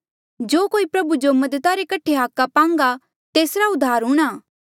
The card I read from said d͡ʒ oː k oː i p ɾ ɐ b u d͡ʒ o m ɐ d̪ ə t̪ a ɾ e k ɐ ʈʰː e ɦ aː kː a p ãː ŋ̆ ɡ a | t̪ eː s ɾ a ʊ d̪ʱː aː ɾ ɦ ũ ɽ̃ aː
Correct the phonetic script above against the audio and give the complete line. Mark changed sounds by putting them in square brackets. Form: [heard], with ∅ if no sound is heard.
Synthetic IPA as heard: d͡ʒ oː k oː i p ɾ ɐ b u d͡ʒ o m ɐ d̪ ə t̪ a ɾ e k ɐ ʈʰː e ɦ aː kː a p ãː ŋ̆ ɡ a | t̪ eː s ɾ a ʊ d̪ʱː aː ɾ ɦ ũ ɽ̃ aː